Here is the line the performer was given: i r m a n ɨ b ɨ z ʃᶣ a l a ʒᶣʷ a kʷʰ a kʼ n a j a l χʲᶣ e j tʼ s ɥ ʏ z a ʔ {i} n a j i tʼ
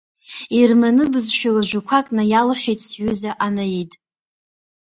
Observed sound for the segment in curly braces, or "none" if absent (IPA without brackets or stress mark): a